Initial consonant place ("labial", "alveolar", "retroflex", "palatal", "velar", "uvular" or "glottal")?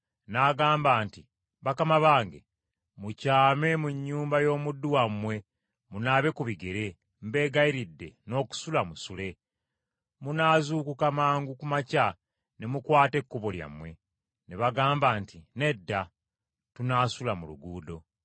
alveolar